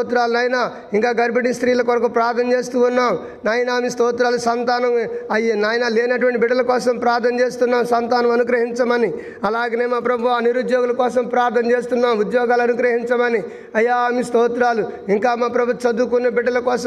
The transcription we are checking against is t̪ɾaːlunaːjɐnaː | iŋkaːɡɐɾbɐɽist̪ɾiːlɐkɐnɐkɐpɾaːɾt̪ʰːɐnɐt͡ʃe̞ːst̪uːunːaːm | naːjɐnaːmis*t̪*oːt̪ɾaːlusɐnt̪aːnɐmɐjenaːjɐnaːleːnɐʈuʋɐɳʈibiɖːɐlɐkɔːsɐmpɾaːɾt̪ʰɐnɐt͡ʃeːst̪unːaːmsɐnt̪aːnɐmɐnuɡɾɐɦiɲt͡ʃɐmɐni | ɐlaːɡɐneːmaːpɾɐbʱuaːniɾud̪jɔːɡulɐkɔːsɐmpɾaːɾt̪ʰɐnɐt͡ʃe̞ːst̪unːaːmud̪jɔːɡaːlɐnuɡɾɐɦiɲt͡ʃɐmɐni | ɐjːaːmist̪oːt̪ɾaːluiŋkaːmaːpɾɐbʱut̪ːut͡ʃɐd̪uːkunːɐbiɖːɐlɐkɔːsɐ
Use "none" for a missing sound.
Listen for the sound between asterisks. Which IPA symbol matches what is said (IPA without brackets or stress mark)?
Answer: t̪